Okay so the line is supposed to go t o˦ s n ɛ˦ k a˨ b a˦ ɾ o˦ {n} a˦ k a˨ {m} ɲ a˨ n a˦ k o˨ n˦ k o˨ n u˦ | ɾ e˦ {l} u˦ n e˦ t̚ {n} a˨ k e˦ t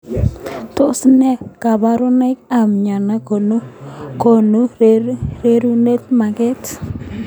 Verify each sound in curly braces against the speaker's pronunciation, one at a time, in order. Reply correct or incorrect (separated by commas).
correct, correct, incorrect, incorrect